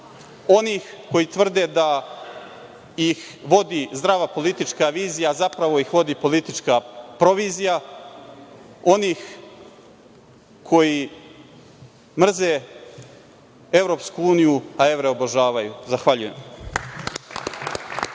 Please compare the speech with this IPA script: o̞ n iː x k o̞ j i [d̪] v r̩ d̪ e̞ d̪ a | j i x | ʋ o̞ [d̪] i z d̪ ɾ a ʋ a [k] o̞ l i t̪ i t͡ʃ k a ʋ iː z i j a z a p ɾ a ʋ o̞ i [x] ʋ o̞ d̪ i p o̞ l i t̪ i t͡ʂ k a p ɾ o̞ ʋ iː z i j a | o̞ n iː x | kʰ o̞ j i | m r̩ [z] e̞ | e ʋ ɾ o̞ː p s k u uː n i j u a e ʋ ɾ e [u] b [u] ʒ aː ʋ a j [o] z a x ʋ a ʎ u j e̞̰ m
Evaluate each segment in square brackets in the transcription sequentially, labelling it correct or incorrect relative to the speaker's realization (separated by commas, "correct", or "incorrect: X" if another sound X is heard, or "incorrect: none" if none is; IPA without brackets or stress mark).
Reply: incorrect: t̪, correct, incorrect: p, correct, correct, incorrect: o, incorrect: o, incorrect: u